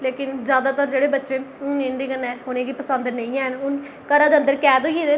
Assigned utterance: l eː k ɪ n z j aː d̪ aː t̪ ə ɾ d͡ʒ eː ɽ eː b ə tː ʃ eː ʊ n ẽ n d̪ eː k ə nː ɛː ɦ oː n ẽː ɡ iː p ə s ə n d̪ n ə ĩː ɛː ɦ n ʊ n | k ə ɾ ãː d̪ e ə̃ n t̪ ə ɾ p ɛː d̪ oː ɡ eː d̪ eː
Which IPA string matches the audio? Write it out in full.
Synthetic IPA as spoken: l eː k ɪ n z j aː d̪ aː t̪ ə ɾ d͡ʒ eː ɽ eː b ə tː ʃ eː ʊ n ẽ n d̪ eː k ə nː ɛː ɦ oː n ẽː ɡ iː p ə s ə n d̪ n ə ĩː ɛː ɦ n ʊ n | k ə ɾ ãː d̪ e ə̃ n d̪ ə ɾ k ɛː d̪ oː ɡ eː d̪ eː